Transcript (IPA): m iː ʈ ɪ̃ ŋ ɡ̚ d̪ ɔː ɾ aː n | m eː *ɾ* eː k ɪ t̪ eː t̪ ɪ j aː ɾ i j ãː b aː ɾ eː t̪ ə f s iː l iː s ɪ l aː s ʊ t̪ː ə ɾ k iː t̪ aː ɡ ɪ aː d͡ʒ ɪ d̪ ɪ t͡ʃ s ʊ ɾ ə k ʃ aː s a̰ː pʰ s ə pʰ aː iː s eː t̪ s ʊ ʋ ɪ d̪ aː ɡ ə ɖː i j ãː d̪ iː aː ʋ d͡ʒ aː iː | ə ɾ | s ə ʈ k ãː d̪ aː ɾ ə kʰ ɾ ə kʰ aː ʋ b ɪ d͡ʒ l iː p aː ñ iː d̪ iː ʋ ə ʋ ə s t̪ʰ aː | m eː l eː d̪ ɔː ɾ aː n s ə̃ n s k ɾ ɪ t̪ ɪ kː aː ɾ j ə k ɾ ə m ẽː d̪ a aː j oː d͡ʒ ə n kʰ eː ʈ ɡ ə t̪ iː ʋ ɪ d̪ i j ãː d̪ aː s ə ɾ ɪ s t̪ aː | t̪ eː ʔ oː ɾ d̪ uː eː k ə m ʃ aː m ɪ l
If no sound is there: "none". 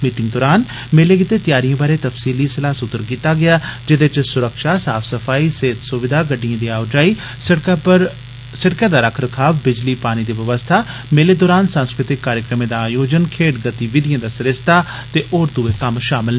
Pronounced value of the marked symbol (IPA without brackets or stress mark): l